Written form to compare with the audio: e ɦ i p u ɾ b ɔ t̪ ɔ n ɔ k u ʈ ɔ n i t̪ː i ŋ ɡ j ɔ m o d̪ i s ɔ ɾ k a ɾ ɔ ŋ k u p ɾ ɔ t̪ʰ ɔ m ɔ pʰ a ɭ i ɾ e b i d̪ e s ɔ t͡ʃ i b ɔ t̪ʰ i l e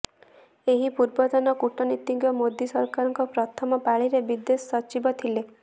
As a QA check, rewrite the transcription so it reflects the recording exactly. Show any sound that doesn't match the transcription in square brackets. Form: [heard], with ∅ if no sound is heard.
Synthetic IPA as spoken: e ɦ i p u ɾ b ɔ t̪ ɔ n ɔ k u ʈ ɔ n i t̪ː i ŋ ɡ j ɔ m o d̪ i s ɔ ɾ k a ɾ ɔ ŋ k [ɔ] p ɾ ɔ t̪ʰ ɔ m ɔ [p] a ɭ i ɾ e b i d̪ e s ɔ t͡ʃ i b ɔ t̪ʰ i l e